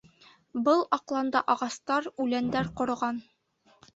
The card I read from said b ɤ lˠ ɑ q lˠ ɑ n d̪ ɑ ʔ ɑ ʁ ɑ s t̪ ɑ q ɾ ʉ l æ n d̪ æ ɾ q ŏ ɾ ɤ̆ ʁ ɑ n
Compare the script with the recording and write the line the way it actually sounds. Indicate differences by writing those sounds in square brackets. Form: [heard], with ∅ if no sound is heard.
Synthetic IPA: b ɤ lˠ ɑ q lˠ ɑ n d̪ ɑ ʔ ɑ ʁ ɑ s t̪ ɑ [∅] ɾ ʉ l æ n d̪ æ ɾ q ŏ ɾ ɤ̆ ʁ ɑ n